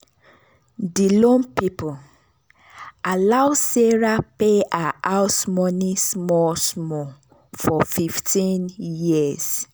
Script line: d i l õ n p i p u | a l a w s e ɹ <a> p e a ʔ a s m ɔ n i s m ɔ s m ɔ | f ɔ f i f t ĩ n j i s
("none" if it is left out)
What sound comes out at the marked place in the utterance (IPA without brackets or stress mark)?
a